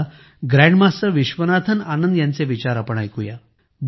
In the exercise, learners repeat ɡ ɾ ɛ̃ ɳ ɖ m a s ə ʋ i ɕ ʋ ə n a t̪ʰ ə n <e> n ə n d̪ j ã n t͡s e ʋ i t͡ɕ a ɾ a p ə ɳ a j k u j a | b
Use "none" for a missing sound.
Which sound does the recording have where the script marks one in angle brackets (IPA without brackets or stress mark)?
a